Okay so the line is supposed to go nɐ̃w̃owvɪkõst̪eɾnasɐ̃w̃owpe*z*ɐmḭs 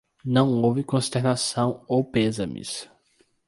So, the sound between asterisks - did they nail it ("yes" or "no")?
yes